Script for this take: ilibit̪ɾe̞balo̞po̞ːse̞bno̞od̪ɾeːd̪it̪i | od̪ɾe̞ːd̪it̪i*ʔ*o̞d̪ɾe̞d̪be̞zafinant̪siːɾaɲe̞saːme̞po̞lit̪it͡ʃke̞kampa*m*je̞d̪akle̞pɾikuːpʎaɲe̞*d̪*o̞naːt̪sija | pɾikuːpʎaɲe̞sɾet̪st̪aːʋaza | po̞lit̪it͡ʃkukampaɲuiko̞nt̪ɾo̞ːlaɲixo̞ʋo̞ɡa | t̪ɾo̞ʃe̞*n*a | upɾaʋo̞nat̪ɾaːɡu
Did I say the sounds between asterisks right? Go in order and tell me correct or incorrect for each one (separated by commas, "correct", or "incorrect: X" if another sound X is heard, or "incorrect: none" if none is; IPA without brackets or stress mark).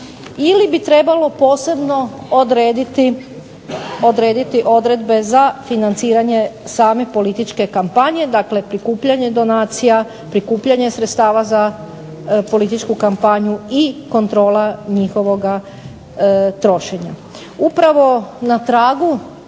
correct, incorrect: ɲ, correct, incorrect: ɲ